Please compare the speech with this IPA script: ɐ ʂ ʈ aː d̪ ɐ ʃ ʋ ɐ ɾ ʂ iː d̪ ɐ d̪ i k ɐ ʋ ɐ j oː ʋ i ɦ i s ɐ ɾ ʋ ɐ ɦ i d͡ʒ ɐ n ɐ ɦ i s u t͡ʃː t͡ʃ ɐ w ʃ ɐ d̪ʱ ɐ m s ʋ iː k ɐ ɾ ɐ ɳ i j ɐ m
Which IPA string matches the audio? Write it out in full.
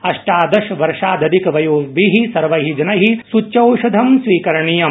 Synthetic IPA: ɐ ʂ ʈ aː d̪ ɐ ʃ ʋ ɐ ɾ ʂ aː d̪ ɐ d̪ i k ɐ ʋ ɐ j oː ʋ i ɦ i s ɐ ɾ ʋ ɐ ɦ i d͡ʒ ɐ n ɐ ɦ i s u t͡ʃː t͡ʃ ɐ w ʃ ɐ d̪ʱ ɐ m s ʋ iː k ɐ ɾ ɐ ɳ i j ɐ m